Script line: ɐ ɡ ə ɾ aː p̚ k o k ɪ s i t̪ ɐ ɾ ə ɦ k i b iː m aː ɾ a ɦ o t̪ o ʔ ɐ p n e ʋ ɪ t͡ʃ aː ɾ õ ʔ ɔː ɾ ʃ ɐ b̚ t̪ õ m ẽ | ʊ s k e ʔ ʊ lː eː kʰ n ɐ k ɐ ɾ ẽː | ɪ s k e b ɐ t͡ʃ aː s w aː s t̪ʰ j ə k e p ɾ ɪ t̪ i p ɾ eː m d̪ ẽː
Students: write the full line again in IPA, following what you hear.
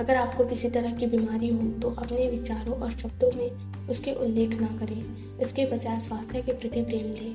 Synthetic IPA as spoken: ɐ ɡ ə ɾ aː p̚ k o k ɪ s i t̪ ɐ ɾ ə ɦ k i b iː m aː ɾ i ɦ o t̪ o ʔ ɐ p n e ʋ ɪ t͡ʃ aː ɾ õ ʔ ɔː ɾ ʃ ɐ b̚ d̪ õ m ẽ | ʊ s k e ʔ ʊ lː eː kʰ n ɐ k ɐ ɾ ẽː | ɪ s k e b ɐ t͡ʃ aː s w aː s t̪ʰ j ə k e p ɾ ɪ t̪ i p ɾ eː m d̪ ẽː